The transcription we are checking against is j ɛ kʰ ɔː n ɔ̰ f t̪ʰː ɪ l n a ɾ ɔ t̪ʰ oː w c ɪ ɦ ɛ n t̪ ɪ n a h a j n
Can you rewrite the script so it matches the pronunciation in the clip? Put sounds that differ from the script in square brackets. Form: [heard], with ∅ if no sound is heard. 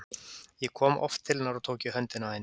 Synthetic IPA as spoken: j ɛ kʰ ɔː [m] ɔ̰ f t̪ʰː ɪ l n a ɾ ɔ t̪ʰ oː w c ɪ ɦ [œ] n t̪ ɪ n a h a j n